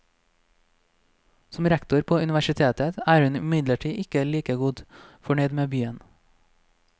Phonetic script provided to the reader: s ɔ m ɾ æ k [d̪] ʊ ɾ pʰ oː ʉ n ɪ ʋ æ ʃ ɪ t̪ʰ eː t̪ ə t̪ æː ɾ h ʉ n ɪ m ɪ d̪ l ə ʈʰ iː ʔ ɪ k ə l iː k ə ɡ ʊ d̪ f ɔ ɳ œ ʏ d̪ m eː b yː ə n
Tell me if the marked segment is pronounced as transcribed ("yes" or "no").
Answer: no